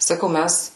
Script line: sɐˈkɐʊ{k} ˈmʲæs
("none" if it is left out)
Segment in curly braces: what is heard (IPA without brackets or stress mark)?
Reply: none